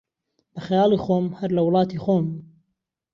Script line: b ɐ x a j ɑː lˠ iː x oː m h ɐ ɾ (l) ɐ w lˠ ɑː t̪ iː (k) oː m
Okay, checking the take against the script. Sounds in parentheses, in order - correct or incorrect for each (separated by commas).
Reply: correct, incorrect